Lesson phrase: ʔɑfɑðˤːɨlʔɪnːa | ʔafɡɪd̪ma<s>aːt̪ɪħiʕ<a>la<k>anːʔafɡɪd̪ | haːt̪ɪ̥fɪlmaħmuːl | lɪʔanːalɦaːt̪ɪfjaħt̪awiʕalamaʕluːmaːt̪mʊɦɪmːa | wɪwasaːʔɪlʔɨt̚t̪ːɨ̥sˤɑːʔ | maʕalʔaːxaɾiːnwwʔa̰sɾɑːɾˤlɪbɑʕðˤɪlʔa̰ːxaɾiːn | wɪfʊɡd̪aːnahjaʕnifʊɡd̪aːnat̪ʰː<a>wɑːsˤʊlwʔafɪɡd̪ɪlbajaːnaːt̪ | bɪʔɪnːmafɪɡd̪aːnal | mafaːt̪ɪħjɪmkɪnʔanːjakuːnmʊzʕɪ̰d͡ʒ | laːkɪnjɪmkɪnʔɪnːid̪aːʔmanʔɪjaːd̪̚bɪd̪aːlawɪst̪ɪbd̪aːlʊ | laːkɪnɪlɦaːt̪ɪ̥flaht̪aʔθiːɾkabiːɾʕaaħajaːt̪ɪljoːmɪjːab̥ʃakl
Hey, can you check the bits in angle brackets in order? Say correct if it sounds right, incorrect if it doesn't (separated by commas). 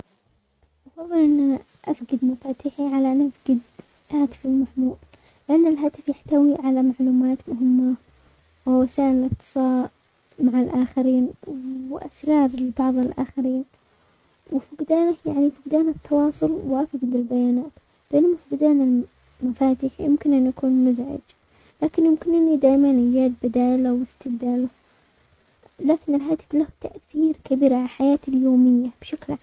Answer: incorrect, correct, incorrect, incorrect